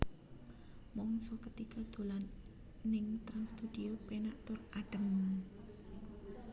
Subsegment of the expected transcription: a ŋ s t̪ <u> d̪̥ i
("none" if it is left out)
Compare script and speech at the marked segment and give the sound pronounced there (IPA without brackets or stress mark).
u